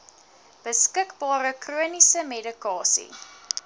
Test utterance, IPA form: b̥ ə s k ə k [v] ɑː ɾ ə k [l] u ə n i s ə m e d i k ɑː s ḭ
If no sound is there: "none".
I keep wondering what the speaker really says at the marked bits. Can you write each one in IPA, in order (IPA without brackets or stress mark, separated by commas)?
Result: b, r